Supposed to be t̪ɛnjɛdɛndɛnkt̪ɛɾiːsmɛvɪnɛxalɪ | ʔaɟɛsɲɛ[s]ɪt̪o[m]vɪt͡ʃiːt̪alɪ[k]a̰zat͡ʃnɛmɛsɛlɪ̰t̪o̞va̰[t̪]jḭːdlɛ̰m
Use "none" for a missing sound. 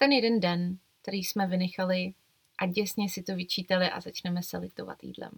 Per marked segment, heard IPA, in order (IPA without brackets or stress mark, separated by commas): s, none, ʔ, t̪